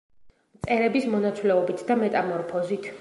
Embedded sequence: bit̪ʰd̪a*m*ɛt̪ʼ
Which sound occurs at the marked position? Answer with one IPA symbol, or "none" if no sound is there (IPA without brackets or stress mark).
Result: m